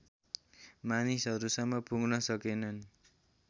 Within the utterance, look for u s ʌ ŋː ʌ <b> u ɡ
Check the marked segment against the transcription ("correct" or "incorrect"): incorrect